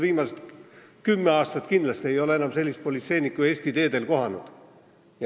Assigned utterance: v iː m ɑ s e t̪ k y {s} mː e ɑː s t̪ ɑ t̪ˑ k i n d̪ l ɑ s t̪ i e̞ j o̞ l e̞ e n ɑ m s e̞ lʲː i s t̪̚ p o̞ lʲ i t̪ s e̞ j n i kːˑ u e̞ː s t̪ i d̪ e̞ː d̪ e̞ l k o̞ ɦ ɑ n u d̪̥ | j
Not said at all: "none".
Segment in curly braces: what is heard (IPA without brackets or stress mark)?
none